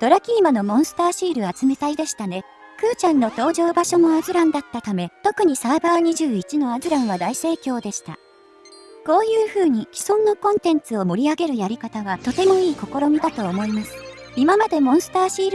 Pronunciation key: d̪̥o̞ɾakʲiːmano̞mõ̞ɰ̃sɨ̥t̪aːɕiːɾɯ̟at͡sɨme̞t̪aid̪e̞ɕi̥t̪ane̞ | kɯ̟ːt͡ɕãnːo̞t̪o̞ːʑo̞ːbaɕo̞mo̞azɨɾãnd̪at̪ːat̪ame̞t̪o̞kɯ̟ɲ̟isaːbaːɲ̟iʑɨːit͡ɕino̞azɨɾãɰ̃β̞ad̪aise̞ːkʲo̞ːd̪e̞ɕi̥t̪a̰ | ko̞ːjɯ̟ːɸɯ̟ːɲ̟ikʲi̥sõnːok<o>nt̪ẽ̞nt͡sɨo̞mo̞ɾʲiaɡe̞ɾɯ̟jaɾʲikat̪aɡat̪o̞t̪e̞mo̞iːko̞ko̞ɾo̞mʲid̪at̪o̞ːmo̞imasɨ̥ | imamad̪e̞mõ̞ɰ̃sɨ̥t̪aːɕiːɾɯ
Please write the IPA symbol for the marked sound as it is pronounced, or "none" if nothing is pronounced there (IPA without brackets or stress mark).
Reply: õ